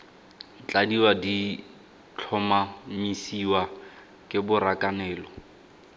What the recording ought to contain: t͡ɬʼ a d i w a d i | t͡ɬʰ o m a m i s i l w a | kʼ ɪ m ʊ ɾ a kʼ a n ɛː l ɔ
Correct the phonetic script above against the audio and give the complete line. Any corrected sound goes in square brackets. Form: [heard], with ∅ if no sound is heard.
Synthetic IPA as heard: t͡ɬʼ a d i w a d i | t͡ɬʰ [ɔ] m a m i s i [∅] w a | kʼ ɪ [b] ʊ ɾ a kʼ a n ɛː l ɔ